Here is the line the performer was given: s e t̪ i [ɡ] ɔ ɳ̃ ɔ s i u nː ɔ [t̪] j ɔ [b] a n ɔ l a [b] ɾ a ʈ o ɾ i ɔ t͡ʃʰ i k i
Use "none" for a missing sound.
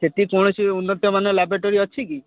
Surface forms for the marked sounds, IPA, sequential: k, t̪, m, b

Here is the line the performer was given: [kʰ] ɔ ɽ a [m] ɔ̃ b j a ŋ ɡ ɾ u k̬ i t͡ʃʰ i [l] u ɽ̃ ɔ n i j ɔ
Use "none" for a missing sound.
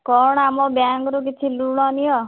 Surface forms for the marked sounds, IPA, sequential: k, m, l

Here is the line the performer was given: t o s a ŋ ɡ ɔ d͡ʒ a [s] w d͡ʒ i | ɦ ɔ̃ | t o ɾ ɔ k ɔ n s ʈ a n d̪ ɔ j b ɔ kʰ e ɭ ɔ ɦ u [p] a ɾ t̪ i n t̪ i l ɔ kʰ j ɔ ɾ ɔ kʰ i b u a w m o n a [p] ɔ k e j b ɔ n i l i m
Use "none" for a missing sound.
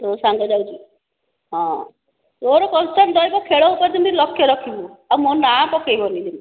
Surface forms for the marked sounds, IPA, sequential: none, p, p

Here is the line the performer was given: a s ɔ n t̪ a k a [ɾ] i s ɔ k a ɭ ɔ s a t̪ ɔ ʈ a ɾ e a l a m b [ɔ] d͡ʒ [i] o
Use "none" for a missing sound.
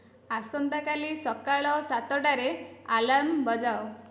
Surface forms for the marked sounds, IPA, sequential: l, ɔ, a

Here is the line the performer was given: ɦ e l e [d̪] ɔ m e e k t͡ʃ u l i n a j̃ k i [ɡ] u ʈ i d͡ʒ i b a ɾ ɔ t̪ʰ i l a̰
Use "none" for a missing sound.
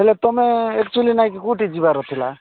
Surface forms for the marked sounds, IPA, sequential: t̪, k

